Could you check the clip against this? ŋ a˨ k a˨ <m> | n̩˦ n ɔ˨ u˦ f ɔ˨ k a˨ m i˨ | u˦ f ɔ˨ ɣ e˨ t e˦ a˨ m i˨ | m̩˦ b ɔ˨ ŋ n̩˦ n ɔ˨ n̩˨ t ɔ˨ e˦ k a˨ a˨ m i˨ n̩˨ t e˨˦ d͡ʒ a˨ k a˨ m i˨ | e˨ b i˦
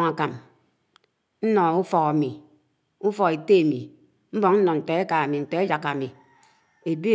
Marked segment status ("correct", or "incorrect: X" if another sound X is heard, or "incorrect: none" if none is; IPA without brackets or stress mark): correct